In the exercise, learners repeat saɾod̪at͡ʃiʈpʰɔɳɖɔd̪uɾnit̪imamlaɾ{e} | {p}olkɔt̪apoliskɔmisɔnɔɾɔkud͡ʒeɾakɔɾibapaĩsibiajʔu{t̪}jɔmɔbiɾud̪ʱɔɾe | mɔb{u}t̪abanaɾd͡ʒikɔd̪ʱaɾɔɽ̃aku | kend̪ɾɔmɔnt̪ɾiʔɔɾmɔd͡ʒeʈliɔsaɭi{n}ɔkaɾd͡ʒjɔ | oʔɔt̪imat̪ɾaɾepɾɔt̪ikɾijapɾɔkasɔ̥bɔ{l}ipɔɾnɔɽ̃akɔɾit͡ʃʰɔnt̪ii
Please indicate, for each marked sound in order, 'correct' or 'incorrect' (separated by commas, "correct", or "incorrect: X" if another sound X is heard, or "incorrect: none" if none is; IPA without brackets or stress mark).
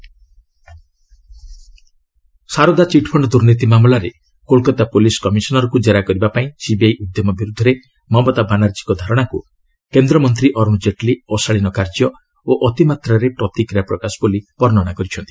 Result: correct, incorrect: k, incorrect: d̪, incorrect: ɔ, correct, correct